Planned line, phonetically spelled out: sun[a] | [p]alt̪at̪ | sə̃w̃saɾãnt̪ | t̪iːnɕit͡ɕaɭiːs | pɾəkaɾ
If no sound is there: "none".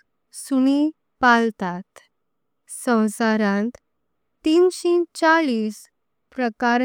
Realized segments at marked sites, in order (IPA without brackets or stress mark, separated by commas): i, p